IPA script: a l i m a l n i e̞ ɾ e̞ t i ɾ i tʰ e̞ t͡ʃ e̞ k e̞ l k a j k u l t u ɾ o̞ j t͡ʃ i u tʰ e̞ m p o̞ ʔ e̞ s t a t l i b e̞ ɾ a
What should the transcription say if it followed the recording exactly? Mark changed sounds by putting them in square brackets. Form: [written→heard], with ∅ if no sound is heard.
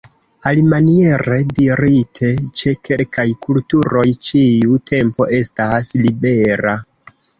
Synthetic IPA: a l i m a [l→∅] n i e̞ ɾ e̞ [t→d] i ɾ i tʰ e̞ t͡ʃ e̞ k e̞ l k a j k u l t u ɾ o̞ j t͡ʃ i u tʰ e̞ m p o̞ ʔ e̞ s t a [t→s] l i b e̞ ɾ a